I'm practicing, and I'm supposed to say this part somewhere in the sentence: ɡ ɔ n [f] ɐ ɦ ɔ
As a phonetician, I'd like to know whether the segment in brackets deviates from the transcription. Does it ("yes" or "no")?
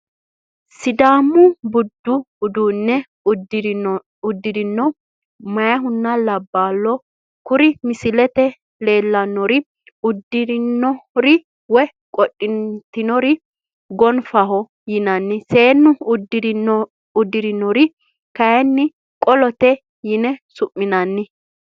no